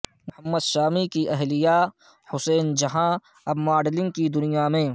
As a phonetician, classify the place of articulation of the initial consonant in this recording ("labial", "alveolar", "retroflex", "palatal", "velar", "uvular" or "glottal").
labial